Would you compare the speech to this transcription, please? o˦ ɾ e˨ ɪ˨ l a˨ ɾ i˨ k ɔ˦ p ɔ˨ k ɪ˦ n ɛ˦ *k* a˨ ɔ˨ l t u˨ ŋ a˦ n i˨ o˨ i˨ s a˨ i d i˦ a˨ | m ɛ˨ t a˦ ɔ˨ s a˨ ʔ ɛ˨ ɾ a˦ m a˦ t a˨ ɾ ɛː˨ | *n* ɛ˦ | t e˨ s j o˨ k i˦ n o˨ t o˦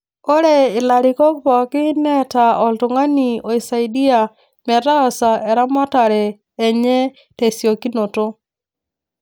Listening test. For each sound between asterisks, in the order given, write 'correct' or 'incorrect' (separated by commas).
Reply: incorrect, incorrect